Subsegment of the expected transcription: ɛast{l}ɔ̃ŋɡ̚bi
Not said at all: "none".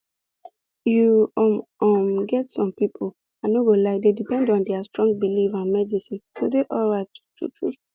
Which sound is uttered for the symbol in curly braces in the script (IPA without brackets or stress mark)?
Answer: ɹ